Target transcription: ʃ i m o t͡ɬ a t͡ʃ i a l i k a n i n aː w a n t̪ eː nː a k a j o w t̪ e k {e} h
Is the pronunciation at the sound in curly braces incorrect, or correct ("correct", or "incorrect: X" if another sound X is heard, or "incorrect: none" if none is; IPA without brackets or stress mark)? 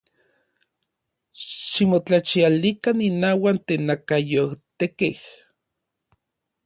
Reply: correct